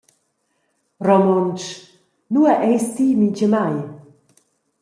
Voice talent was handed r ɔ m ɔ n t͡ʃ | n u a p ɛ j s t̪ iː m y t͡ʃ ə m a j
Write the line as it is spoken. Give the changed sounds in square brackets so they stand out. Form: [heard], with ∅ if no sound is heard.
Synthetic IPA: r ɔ m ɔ n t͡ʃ | n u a [ʔ] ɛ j s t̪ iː m [i] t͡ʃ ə m a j